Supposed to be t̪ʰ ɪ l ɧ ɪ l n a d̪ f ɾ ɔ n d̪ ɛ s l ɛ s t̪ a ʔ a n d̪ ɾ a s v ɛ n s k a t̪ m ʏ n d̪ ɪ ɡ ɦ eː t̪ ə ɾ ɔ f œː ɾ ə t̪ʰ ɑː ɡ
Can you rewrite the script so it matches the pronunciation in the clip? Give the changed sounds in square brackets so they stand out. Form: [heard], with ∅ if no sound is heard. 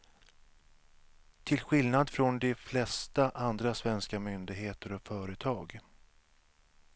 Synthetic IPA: t̪ʰ ɪ l ɧ ɪ l n a d̪ f ɾ ɔ n d̪ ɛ [f] l ɛ s t̪ a ʔ a n d̪ ɾ a s v ɛ n s k a [∅] m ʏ n d̪ ɪ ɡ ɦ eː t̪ ə ɾ ɔ f œː ɾ ə t̪ʰ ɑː ɡ